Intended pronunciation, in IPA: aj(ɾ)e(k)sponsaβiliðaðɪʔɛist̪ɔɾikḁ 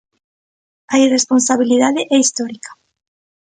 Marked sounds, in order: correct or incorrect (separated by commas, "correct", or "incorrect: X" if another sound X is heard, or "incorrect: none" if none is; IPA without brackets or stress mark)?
incorrect: r, incorrect: none